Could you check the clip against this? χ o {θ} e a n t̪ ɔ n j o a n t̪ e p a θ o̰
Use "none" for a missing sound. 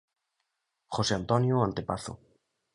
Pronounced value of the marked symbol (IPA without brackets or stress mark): s